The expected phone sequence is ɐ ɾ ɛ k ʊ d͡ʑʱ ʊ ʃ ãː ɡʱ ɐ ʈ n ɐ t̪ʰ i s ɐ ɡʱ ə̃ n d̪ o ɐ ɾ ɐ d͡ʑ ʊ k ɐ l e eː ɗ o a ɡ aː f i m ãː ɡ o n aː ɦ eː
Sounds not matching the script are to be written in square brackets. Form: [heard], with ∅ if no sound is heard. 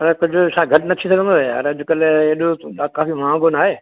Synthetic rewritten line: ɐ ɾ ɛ k ʊ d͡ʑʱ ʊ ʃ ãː ɡʱ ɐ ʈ n ɐ t̪ʰ i s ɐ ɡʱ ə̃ n d̪ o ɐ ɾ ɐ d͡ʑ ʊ k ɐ l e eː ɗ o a [k] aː f i m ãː ɡ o n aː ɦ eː